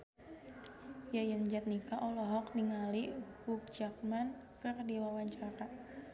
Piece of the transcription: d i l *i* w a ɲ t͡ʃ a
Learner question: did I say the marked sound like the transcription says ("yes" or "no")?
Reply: no